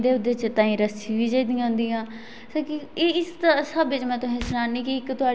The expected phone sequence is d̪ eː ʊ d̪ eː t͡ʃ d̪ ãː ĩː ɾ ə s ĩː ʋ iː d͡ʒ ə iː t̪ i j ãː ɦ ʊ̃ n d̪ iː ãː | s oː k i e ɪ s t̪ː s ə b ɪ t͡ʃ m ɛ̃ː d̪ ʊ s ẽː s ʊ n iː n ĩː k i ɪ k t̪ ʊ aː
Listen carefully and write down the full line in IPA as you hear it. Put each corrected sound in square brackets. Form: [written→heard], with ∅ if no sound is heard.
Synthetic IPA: d̪ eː ʊ d̪ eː t͡ʃ [d̪→t̪] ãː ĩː ɾ ə s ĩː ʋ iː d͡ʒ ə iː [t̪→d̪] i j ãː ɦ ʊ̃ n d̪ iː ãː | s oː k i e ɪ s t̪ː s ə b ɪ t͡ʃ m ɛ̃ː [d̪→t̪] ʊ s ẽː s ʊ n [iː→aː] n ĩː k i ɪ k t̪ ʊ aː